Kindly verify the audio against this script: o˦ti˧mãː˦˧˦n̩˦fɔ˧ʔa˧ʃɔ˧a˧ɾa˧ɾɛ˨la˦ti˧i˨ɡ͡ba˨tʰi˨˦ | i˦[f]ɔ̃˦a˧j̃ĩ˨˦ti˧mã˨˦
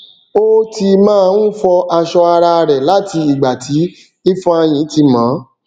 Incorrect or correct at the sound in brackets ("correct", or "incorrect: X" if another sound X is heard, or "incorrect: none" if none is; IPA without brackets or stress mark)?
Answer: correct